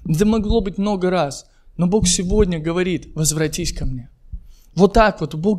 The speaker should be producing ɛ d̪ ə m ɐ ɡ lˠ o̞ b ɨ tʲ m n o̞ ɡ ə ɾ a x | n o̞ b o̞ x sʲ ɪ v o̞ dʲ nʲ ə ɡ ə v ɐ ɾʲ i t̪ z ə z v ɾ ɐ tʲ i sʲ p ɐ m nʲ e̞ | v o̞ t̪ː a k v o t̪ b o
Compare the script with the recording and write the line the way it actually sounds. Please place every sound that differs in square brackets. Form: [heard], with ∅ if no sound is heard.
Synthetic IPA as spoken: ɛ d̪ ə m ɐ ɡ lˠ o̞ b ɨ tʲ m n o̞ ɡ ə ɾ a [s] | n o̞ b o̞ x sʲ ɪ v o̞ dʲ nʲ ə ɡ ə v ɐ ɾʲ i t̪ [v] ə z v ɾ ɐ tʲ i sʲ [k] ɐ m nʲ e̞ | v o̞ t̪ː a k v o t̪ b o